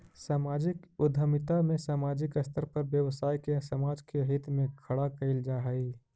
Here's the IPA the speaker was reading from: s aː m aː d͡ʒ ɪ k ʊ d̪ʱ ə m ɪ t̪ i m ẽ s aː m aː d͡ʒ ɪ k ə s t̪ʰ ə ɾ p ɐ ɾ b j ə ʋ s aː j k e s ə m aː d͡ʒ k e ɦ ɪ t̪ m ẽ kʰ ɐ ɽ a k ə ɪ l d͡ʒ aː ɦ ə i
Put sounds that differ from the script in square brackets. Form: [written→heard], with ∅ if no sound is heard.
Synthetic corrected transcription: s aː m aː d͡ʒ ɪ k ʊ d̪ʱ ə m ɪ t̪ [i→a] m ẽ s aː m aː d͡ʒ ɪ k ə s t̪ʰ ə ɾ p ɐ ɾ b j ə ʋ s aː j k e s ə m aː d͡ʒ k e ɦ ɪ t̪ m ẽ kʰ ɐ ɽ a k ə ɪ l d͡ʒ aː ɦ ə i